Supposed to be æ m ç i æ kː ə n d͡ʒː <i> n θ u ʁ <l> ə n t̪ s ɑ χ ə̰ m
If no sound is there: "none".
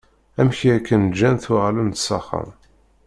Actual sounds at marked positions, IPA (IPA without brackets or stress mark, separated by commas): æ, l